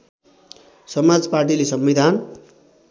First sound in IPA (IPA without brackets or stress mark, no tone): s